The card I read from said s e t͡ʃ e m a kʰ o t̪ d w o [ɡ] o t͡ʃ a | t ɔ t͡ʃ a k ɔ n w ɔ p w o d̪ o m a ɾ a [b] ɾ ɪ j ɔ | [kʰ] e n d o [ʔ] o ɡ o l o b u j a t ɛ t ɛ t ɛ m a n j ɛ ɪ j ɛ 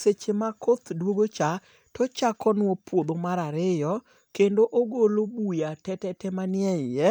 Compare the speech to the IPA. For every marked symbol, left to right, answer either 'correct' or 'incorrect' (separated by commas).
correct, incorrect, incorrect, correct